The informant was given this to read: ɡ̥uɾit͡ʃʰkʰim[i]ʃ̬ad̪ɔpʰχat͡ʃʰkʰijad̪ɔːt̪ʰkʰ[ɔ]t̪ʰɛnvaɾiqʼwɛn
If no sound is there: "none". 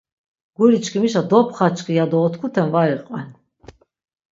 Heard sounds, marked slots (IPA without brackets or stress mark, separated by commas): i, u